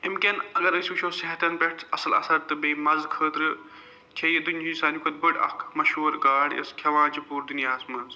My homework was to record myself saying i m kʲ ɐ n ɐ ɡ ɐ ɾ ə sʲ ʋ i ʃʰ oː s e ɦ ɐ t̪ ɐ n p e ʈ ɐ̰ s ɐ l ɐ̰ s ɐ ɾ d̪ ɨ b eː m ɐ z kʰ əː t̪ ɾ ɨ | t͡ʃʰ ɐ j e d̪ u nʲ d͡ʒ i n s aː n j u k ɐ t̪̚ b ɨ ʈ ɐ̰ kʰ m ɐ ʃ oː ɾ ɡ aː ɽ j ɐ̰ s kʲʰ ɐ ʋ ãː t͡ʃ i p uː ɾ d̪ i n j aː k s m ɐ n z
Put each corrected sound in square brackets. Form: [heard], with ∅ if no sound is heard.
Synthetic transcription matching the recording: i m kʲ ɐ n ɐ ɡ ɐ ɾ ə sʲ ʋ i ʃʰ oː s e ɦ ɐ t̪ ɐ n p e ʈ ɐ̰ s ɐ l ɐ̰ s ɐ ɾ [t̪] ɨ b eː m ɐ z kʰ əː t̪ ɾ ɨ | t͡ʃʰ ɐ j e d̪ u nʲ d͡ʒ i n s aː n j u k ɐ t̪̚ b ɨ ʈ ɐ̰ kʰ m ɐ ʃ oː ɾ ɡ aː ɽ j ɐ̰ s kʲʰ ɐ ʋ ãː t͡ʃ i p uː ɾ d̪ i n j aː [∅] s m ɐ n z

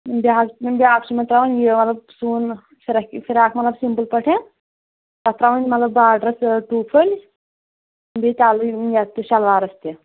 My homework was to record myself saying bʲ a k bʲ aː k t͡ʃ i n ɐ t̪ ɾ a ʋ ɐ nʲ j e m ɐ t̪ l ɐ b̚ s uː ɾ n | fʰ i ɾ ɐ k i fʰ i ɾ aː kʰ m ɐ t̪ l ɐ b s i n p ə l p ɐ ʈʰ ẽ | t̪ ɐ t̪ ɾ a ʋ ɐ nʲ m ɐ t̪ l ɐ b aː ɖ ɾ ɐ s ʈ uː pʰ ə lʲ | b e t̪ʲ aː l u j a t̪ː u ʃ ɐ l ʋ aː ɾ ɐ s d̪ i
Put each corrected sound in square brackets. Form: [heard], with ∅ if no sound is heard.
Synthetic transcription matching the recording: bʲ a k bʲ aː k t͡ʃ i [m] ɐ t̪ ɾ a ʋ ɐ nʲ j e m ɐ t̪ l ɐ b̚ s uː [∅] n | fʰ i ɾ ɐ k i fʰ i ɾ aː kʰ m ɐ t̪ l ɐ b s i [m] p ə l p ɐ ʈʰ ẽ | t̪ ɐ t̪ ɾ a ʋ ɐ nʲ m ɐ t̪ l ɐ b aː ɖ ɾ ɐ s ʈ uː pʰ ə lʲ | b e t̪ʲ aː l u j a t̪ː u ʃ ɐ l ʋ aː ɾ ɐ s [t̪] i

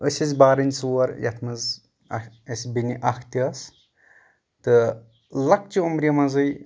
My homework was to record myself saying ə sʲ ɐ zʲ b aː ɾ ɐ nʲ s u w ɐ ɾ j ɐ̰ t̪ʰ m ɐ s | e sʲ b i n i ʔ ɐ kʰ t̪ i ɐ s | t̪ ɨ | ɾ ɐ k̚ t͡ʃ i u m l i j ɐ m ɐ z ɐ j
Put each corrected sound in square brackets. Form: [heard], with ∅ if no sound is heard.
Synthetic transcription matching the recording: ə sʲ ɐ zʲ b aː ɾ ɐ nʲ s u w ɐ ɾ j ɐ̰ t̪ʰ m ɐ [z] | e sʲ b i n i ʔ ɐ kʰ t̪ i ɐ s | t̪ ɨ | [l] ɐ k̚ t͡ʃ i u m [ɾ] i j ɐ m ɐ z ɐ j

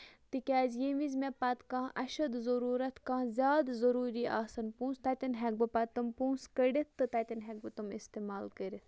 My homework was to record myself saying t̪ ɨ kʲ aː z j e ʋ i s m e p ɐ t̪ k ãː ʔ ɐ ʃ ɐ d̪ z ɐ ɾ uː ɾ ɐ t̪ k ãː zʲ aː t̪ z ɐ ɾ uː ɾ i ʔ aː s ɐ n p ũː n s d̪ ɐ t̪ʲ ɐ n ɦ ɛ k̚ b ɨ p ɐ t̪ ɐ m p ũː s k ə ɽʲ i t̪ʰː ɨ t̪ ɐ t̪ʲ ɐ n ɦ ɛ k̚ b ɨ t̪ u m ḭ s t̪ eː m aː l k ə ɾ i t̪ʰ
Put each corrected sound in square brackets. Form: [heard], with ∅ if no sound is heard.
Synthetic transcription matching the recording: t̪ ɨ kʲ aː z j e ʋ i [z] m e p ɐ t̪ k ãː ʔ ɐ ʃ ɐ d̪ z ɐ ɾ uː ɾ ɐ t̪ k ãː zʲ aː [d̪] z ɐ ɾ uː ɾ i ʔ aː s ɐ n p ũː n s [t̪] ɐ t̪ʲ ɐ n ɦ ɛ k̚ b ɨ p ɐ t̪ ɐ m p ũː s k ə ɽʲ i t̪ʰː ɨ t̪ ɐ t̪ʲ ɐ n ɦ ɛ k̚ b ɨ t̪ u m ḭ s t̪ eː m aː l k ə ɾ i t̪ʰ

